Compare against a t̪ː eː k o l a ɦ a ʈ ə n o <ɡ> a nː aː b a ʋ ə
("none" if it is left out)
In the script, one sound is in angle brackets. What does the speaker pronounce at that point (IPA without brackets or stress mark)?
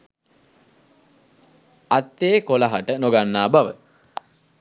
ɡ